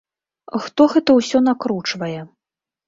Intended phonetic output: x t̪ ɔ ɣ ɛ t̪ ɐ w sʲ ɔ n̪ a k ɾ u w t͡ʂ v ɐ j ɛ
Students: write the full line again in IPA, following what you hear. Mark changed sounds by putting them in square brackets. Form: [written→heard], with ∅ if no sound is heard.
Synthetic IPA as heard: x t̪ ɔ ɣ ɛ t̪ ɐ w sʲ ɔ n̪ a k ɾ u [w→∅] t͡ʂ v ɐ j ɛ